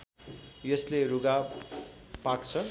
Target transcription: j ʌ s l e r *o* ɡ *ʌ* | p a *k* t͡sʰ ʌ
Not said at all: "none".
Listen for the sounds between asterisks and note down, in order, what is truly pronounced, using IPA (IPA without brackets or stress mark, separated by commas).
u, a, k